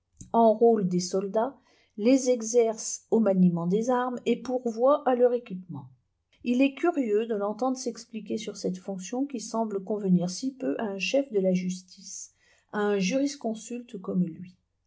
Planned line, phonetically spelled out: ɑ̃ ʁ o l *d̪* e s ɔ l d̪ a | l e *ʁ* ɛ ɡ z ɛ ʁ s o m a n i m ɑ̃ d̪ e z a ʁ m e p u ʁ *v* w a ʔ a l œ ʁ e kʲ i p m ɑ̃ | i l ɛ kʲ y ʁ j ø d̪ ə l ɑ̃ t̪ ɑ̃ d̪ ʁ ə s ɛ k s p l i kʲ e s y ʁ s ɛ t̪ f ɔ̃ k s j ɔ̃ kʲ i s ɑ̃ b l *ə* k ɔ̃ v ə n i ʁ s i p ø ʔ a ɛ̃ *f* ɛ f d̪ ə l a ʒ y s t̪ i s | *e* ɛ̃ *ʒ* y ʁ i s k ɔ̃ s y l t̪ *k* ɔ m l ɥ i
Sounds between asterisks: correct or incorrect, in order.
correct, incorrect: z, correct, correct, incorrect: ʃ, incorrect: a, correct, correct

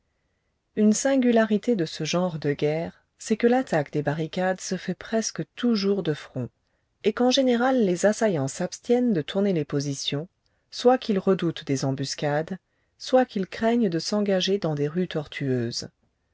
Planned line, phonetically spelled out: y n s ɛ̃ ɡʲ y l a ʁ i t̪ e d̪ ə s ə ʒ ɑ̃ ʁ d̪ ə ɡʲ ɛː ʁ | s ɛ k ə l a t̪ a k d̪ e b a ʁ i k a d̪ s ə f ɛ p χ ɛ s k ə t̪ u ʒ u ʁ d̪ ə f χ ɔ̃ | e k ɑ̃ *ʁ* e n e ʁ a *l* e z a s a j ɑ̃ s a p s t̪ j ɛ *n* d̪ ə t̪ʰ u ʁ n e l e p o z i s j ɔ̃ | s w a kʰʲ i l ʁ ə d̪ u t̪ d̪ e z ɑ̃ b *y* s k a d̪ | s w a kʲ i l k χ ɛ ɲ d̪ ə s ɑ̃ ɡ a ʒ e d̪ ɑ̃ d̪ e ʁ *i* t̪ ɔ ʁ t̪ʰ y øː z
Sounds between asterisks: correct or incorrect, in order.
incorrect: ʒ, incorrect: lː, correct, correct, incorrect: y

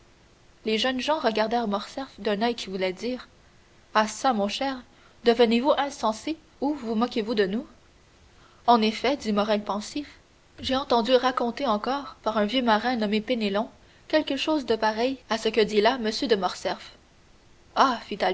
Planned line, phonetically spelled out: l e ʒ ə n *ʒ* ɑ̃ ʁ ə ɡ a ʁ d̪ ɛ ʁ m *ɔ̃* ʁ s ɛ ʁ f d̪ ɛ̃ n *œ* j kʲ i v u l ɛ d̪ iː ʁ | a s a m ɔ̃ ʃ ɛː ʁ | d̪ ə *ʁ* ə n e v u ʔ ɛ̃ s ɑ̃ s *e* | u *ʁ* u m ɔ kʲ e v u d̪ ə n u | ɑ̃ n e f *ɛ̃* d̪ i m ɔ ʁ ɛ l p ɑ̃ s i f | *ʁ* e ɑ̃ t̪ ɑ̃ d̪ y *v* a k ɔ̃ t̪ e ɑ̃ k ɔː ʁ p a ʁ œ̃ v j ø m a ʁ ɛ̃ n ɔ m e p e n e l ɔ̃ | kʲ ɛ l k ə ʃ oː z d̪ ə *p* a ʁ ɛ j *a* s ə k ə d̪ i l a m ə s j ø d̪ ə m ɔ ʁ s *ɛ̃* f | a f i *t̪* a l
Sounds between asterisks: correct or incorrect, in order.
correct, incorrect: ɔ, correct, incorrect: v, correct, incorrect: v, incorrect: ɛ, incorrect: ʒ, incorrect: ʁ, correct, correct, incorrect: ɛ, correct

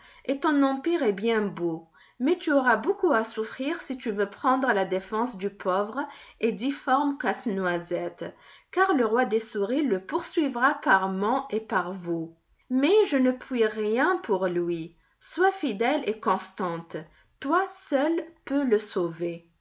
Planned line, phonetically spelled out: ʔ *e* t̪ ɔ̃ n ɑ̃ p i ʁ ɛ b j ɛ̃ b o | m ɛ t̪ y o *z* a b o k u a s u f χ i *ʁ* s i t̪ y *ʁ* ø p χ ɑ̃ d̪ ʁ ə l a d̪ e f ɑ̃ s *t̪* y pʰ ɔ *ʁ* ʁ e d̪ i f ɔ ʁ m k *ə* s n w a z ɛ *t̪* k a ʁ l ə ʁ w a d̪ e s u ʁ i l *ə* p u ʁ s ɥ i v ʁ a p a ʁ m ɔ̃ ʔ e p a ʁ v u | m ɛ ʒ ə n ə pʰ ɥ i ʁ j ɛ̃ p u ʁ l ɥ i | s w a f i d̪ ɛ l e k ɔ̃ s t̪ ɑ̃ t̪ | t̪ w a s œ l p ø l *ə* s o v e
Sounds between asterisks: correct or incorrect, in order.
correct, incorrect: ʁ, correct, incorrect: v, incorrect: d̪, incorrect: v, incorrect: a, correct, correct, correct

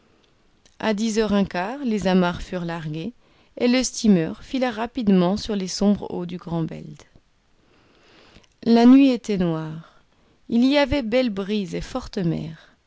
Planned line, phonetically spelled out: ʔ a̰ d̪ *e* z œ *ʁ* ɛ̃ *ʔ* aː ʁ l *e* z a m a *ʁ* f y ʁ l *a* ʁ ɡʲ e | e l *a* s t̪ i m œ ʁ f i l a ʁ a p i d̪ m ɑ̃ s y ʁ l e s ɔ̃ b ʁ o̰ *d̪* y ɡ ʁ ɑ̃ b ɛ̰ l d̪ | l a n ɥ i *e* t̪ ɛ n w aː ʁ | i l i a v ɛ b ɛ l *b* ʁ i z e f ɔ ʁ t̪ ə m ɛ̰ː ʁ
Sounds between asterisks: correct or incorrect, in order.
incorrect: i, correct, incorrect: k, correct, correct, correct, incorrect: ə, correct, correct, correct

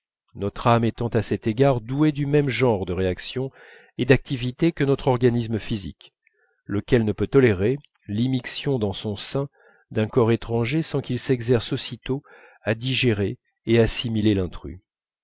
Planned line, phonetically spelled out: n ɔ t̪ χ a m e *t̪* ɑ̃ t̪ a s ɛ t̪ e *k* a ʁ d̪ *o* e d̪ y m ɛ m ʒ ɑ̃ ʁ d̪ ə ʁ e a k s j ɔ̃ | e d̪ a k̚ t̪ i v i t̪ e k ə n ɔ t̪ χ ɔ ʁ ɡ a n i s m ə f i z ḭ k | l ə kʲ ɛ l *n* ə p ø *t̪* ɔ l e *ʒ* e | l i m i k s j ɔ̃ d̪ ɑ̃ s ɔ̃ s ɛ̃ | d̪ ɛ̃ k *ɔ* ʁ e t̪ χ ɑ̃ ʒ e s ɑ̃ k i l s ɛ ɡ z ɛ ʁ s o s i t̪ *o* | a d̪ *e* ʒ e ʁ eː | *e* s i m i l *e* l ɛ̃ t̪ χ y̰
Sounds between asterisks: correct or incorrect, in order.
correct, incorrect: ɡ, incorrect: u, correct, correct, incorrect: ʁ, correct, correct, incorrect: i, incorrect: a, correct

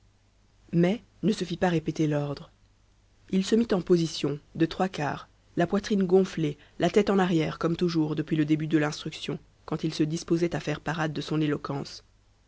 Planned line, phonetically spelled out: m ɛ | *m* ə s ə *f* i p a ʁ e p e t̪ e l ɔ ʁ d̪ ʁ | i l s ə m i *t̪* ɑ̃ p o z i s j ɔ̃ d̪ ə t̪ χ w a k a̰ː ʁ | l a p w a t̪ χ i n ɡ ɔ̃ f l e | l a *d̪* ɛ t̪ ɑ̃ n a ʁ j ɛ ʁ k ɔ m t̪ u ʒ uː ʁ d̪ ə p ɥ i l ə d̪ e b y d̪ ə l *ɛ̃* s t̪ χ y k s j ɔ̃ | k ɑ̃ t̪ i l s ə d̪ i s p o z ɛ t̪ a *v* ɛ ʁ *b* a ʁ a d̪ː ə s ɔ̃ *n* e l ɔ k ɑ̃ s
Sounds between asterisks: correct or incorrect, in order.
incorrect: n, correct, correct, incorrect: t̪, correct, incorrect: f, incorrect: p, correct

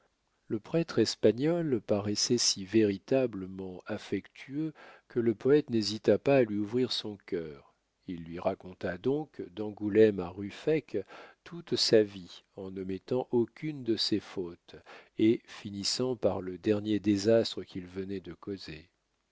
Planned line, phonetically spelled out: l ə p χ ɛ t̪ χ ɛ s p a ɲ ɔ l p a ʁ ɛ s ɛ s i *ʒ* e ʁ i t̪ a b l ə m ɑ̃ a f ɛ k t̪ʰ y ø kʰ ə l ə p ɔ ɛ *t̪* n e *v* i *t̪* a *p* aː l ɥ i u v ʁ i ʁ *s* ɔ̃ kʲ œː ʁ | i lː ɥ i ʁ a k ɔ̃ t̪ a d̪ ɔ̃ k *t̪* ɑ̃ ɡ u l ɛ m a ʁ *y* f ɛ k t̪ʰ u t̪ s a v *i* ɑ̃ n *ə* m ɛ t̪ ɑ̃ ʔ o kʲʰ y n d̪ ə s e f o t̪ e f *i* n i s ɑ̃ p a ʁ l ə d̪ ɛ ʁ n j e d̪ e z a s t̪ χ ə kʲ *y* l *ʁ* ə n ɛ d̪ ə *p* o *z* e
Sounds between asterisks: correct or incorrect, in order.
incorrect: v, correct, incorrect: z, correct, correct, correct, incorrect: d̪, correct, correct, correct, correct, incorrect: i, incorrect: v, incorrect: k, correct

